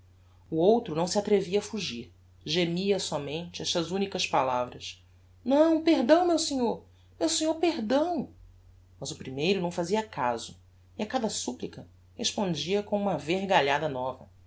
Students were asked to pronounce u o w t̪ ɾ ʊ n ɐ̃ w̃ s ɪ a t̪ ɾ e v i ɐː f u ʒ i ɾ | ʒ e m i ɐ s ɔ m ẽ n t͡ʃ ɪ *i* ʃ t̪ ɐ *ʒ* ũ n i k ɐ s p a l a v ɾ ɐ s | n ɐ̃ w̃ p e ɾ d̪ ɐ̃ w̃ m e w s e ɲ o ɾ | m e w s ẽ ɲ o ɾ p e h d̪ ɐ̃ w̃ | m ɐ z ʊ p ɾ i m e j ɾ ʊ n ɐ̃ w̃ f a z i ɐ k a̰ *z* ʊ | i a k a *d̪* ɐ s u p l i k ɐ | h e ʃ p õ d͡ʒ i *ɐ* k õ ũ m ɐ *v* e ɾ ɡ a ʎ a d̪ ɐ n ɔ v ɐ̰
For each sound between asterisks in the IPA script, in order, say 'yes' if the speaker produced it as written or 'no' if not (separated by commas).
no, no, yes, yes, yes, yes